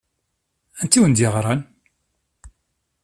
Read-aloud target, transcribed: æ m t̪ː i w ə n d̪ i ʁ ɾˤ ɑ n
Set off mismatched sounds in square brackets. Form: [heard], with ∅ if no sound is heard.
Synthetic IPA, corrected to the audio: æ [n] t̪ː i w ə n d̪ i ʁ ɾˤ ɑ n